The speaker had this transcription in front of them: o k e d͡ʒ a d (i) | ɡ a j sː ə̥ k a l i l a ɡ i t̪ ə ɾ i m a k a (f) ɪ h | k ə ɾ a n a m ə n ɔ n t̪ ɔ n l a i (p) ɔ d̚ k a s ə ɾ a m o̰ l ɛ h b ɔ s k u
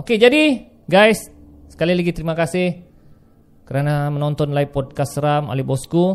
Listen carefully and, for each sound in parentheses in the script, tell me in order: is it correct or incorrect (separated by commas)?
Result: correct, incorrect, correct